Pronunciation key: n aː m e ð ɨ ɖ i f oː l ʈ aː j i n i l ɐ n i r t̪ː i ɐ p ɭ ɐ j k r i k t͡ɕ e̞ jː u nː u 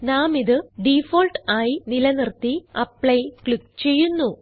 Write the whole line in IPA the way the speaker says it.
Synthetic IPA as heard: n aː m i ð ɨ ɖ i f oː l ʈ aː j i n i l ɐ n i r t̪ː i ɐ p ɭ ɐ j k ɭ i k t͡ɕ e̞ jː u nː u